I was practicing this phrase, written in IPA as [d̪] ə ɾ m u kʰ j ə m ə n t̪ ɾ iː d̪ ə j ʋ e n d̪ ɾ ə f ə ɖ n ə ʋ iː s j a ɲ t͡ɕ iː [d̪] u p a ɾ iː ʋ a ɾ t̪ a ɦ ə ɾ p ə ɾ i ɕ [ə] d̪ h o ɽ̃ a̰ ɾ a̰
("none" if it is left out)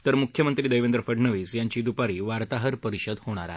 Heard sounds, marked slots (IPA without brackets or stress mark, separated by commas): t̪, d̪, ə